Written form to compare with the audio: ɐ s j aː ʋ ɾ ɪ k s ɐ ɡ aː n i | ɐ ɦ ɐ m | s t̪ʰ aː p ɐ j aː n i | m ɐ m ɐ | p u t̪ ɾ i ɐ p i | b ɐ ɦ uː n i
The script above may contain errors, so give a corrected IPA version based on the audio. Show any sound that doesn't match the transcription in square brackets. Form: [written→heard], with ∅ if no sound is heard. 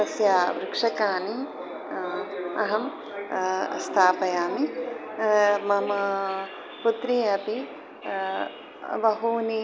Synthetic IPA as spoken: ɐ s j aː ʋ ɾ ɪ k [s→ʂ] ɐ [ɡ→k] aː n i | ɐ ɦ ɐ m | s t̪ʰ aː p ɐ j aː [n→m] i | m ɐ m ɐ | p u t̪ ɾ i ɐ p i | b ɐ ɦ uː n i